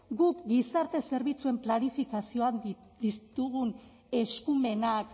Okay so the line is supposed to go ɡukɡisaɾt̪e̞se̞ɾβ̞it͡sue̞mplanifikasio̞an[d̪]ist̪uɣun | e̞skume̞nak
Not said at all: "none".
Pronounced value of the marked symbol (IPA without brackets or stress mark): d̪